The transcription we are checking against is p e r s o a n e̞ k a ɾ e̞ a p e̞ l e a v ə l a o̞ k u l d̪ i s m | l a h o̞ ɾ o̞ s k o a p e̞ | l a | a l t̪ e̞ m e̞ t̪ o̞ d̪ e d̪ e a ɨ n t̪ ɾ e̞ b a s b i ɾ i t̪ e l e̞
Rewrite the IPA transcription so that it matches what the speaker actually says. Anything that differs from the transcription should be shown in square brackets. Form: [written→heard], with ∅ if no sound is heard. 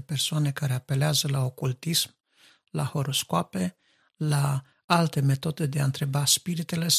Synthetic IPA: p e r s o a n e̞ k a ɾ e̞ a p e̞ l e a [v→z] ə l a o̞ k u l [d̪→t̪] i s m | l a h o̞ ɾ o̞ s k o a p e̞ | l a | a l t̪ e̞ m e̞ t̪ o̞ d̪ e d̪ e a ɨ n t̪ ɾ e̞ b a s [b→p] i ɾ i t̪ e l e̞